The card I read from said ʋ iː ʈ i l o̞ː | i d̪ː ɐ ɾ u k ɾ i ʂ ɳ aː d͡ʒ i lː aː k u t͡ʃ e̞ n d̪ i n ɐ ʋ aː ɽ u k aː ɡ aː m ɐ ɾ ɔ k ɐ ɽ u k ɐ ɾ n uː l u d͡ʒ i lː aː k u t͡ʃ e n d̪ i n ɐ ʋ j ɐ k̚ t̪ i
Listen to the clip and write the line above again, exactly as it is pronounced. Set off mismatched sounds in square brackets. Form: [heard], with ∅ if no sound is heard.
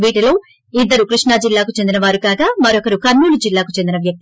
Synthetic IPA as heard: ʋ iː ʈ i l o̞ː | i d̪ː ɐ ɾ u k ɾ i ʂ ɳ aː d͡ʒ i lː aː k u t͡ʃ e̞ n d̪ i n ɐ ʋ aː [ɾ] u k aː ɡ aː m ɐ ɾ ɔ k ɐ [ɾ] u k ɐ ɾ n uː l u d͡ʒ i lː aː k u t͡ʃ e n d̪ i n ɐ ʋ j ɐ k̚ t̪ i